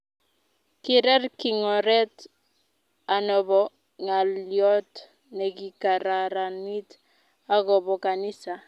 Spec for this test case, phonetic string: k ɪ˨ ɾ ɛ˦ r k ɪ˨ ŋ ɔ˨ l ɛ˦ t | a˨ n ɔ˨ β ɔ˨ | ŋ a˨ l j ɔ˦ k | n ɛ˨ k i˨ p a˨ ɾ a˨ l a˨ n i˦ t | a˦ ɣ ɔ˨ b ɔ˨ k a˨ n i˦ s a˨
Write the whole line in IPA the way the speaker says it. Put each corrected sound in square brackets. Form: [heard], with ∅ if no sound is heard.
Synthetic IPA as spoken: k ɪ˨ ɾ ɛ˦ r k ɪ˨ ŋ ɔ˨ [ɾ] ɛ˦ t | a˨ n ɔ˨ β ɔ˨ | ŋ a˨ l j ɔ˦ [t] | n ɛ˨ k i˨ [k] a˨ ɾ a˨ [ɾ] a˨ n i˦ t | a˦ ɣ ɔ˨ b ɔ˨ k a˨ n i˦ s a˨